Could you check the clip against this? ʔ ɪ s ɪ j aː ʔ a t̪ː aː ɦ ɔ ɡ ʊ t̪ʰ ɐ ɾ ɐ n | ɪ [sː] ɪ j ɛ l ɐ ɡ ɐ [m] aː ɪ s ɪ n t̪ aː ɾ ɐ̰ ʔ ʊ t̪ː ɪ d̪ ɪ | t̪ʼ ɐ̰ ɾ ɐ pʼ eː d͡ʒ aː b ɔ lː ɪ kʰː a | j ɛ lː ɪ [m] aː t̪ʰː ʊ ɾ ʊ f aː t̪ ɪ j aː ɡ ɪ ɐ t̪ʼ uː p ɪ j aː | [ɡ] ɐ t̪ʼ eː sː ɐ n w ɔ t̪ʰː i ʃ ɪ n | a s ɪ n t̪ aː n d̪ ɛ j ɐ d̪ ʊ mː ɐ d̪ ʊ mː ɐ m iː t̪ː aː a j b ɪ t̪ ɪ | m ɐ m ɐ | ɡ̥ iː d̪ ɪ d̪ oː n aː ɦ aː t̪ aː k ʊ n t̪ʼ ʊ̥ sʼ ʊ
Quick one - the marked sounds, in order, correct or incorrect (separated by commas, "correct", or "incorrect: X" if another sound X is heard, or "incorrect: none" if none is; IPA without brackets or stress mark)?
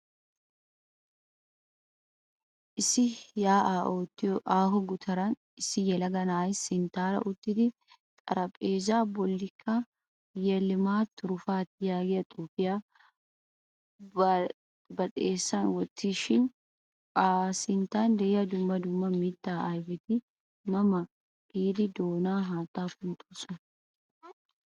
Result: incorrect: s, incorrect: n, correct, incorrect: b